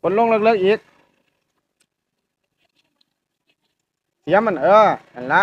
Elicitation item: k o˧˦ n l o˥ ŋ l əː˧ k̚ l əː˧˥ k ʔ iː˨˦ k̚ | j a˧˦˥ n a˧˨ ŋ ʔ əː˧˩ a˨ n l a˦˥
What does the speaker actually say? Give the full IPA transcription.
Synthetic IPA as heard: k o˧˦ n l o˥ ŋ l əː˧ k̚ l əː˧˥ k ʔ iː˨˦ k̚ | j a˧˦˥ m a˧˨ n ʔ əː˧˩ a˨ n l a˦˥

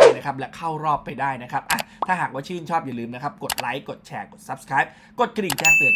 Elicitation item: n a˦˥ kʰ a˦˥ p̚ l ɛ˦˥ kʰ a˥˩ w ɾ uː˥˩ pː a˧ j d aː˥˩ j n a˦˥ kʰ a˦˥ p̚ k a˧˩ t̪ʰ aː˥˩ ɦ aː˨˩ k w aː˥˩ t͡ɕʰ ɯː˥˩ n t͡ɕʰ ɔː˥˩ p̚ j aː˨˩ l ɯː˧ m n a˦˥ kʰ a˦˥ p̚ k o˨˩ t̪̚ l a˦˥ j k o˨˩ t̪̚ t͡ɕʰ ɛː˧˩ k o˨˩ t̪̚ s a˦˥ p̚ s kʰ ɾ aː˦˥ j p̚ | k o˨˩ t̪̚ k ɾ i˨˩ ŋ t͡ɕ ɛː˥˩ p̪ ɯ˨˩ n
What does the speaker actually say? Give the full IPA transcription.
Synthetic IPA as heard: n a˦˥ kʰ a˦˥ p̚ l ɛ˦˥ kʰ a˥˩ w ɾ ɔː˥˩ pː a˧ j d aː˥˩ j n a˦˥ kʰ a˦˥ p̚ ʔ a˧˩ t̪ʰ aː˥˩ ɦ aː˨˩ k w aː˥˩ t͡ɕʰ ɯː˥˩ n t͡ɕʰ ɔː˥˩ p̚ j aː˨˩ l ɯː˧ m n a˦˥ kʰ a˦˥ p̚ k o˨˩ t̪̚ l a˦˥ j k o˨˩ t̪̚ t͡ɕʰ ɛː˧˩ k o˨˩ t̪̚ s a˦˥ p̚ s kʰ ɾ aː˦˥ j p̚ | k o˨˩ t̪̚ k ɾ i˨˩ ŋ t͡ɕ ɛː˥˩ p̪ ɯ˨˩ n

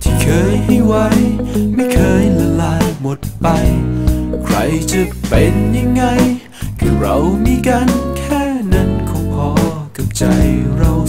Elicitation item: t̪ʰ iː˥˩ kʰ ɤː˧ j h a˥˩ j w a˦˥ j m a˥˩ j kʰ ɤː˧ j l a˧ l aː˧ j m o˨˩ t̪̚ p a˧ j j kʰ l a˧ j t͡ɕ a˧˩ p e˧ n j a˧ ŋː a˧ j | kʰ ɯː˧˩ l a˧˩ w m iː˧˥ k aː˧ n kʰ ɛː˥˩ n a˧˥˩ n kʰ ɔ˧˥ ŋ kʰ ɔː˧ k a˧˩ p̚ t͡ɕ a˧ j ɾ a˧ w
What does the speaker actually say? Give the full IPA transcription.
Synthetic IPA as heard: t̪ʰ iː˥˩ kʰ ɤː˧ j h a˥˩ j w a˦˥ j m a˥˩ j kʰ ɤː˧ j l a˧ l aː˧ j m o˨˩ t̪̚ p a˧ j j kʰ ɾ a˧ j t͡ɕ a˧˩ p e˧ n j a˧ ŋː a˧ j | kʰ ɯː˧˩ ɾ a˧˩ w m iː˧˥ k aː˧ n kʰ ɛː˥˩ n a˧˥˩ n kʰ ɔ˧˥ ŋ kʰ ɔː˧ k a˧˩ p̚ t͡ɕ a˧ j ɾ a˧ w

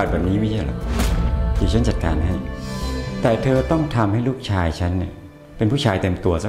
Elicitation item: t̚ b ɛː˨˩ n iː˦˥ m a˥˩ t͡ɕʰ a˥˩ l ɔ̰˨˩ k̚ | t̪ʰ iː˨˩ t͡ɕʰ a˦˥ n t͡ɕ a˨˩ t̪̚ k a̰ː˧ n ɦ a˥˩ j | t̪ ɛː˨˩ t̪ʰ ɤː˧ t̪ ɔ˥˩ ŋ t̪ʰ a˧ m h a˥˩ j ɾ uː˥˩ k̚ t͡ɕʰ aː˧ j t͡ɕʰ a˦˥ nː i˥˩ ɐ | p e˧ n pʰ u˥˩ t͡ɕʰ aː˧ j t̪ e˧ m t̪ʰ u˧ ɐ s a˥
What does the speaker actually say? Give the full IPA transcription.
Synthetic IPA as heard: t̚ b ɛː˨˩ n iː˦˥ m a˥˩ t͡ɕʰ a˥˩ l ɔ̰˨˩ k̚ | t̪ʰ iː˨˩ t͡ɕʰ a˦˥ n t͡ɕ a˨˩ t̪̚ k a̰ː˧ n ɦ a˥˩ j | t̪ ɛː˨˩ t̪ʰ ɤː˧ t̪ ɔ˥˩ ŋ t̪ʰ a˧ m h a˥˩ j l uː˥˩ k̚ t͡ɕʰ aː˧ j t͡ɕʰ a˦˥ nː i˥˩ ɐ | p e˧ n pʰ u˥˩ t͡ɕʰ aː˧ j t̪ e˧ m t̪ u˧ ɐ s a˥

